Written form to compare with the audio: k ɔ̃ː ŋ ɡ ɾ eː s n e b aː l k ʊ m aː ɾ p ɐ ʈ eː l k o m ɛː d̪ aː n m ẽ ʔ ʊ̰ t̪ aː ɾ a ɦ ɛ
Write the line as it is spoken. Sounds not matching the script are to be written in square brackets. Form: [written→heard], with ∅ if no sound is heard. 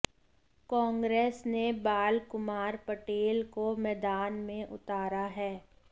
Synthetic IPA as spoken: k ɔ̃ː ŋ ɡ ɾ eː s n e b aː l k ʊ m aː ɾ p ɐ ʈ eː l k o m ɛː d̪ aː n m ẽ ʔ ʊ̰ t̪ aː ɾ a ɦ [ɛ→ɛː]